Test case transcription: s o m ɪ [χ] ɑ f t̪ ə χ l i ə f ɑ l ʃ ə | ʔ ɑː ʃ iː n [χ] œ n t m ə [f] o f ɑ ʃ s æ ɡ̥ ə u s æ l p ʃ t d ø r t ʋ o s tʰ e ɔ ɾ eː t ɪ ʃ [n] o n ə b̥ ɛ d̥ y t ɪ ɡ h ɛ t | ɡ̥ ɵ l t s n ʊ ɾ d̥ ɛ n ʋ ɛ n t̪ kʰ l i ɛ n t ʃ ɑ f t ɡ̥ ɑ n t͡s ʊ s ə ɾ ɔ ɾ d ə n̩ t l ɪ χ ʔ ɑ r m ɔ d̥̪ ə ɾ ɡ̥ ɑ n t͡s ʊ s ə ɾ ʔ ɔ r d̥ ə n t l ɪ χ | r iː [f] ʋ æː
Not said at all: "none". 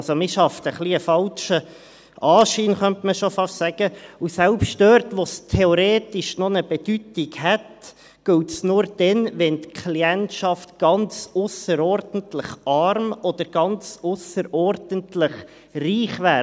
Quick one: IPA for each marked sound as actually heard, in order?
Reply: ʃ, χ, ʃ, n, χ

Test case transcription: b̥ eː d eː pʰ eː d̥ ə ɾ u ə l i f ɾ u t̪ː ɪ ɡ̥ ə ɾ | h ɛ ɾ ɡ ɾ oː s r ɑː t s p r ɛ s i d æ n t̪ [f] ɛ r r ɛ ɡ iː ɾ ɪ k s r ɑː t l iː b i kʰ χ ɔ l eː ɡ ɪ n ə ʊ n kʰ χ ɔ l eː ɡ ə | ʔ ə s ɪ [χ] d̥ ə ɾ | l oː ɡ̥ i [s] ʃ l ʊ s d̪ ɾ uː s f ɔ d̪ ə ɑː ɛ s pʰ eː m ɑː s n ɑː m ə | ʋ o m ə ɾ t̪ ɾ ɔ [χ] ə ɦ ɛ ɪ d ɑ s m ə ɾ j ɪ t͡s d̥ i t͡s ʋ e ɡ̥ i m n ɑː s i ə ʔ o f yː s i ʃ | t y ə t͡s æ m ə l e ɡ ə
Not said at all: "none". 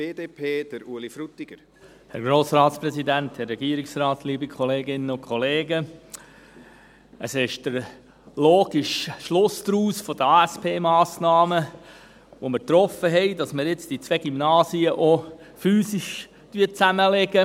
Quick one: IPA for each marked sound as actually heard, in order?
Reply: h, ʃ, ʃ, f

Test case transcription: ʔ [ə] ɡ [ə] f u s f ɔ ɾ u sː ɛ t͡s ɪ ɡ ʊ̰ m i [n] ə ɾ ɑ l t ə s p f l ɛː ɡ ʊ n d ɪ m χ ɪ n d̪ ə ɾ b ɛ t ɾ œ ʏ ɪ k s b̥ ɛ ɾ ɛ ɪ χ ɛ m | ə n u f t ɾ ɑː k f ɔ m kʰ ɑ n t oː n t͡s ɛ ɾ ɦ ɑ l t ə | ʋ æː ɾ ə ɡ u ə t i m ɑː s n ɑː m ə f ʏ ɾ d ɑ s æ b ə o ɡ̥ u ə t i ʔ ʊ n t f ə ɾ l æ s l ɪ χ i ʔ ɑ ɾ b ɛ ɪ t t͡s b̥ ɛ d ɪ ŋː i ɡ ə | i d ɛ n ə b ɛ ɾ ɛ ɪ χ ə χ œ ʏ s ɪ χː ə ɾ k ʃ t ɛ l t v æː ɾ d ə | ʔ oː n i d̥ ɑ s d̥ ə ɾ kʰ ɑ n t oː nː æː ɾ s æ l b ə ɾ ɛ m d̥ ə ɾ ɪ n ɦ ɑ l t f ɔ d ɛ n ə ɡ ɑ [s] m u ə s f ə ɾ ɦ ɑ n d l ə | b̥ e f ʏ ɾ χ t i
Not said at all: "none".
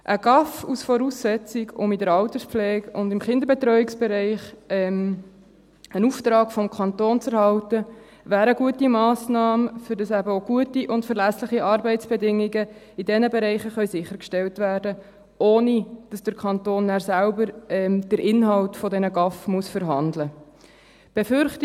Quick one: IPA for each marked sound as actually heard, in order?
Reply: ə, ɑ, d, f

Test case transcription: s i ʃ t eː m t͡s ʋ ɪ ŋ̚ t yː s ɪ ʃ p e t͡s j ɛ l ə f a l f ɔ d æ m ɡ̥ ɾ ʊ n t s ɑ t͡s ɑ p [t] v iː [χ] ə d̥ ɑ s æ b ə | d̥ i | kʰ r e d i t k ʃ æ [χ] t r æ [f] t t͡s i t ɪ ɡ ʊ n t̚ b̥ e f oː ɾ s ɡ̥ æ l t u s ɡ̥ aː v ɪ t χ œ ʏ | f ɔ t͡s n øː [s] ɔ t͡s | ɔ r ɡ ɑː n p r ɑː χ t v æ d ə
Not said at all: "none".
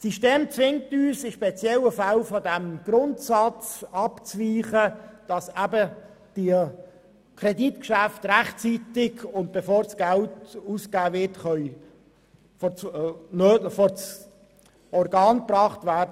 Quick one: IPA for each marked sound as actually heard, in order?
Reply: t͡s, χ, f, χ, f

